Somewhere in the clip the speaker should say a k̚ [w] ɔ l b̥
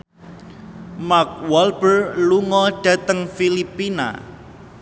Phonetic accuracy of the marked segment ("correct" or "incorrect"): correct